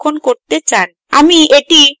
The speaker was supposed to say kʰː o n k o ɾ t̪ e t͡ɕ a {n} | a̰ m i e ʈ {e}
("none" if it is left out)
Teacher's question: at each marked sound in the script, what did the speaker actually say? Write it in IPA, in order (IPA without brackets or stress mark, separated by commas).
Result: n, i